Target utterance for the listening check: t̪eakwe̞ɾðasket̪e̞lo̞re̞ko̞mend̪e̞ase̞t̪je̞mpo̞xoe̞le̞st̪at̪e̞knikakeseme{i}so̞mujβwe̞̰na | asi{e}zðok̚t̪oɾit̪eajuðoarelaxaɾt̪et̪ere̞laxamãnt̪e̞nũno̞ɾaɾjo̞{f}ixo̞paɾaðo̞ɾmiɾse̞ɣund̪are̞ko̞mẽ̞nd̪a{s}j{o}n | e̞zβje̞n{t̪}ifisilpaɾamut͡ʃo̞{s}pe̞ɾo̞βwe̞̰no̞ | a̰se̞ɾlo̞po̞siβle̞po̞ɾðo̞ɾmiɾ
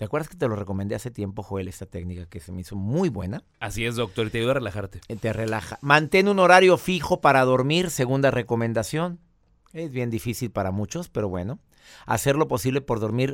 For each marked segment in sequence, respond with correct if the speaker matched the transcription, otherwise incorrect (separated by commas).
correct, correct, correct, correct, correct, incorrect, correct